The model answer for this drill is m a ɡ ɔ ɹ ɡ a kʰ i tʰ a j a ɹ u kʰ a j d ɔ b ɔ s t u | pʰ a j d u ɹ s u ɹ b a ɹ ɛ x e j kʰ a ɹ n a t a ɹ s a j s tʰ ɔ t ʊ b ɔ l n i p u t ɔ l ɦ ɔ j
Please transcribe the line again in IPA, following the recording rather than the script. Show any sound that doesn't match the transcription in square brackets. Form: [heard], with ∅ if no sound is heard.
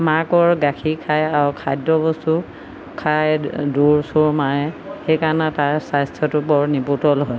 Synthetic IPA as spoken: m a [k] ɔ ɹ ɡ a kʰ i [kʰ] a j a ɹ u kʰ a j d ɔ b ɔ s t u | [kʰ] a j d u ɹ s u ɹ [m] a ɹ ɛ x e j [k] a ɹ n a t a ɹ s a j s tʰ ɔ t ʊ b ɔ [ɹ] n i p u t ɔ l ɦ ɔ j